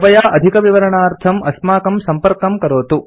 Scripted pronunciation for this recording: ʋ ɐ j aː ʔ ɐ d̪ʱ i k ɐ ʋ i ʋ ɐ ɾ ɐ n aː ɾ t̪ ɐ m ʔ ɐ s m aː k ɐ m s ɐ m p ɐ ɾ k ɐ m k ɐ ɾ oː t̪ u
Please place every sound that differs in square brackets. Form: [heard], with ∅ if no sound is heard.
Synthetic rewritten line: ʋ ɐ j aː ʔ ɐ d̪ʱ i k ɐ ʋ i ʋ ɐ ɾ ɐ [ɳ] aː ɾ [t̪ʰ] ɐ m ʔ ɐ s m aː k ɐ m s ɐ m p ɐ ɾ k ɐ m k ɐ ɾ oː t̪ u